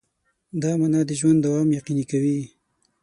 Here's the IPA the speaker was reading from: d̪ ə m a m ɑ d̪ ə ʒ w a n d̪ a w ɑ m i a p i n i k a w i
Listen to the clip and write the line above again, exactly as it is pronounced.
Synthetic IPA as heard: d̪ ɑ m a n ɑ d̪ ə ʒ w a n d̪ a w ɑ m j a q i n i k a w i

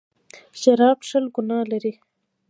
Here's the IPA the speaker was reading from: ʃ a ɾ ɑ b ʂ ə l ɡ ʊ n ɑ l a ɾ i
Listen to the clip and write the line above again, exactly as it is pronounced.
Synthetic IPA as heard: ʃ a ɾ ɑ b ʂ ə l ɡ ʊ n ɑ l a ɾ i

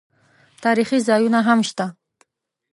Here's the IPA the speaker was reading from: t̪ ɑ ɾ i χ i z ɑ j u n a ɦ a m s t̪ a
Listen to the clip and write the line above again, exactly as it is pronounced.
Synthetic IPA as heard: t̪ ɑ ɾ i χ i z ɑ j u n a ɦ a m ʃ t̪ a

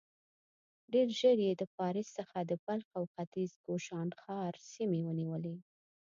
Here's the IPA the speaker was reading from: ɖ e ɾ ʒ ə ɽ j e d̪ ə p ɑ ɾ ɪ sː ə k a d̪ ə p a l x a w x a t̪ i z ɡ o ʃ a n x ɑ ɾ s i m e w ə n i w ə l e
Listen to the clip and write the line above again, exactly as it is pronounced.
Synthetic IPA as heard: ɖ e ɾ ʒ ə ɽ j e d̪ ə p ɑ ɾ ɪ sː ə x a d̪ ə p a l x a w x a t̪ i z ɡ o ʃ ɑ n x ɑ ɾ s i m e w ə n i w ə l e

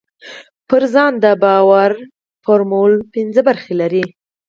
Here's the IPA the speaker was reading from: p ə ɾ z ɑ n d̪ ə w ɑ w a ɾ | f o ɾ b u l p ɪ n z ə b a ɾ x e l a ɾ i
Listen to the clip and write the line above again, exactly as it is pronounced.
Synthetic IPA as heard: p ə ɾ z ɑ n d̪ ə b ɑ w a ɾ | f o ɾ m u l p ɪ n z ə b a ɾ x e l a ɾ i

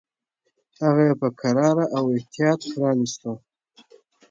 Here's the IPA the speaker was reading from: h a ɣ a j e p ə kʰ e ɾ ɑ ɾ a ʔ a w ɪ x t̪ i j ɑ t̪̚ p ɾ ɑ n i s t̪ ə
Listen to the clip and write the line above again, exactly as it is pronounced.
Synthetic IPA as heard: h a ɣ a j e p ə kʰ a ɾ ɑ ɾ a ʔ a w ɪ h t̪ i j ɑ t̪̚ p ɾ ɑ n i s t̪ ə

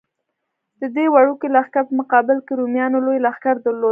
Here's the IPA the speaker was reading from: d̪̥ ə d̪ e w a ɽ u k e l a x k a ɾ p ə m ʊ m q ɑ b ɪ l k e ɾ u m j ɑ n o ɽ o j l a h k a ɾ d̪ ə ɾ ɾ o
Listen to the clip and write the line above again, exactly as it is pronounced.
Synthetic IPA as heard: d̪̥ ə d̪ e w a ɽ u k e l a x k a ɾ p ə m ʊ q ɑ b ɪ l k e ɾ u m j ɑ n o l o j l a x k a ɾ d̪ ə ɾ l o

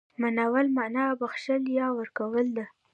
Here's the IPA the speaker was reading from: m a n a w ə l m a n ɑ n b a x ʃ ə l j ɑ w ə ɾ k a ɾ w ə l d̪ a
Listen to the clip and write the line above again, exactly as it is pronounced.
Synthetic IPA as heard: m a n a w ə l m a n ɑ b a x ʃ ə l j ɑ w ə ɾ k a w ə l d̪ a

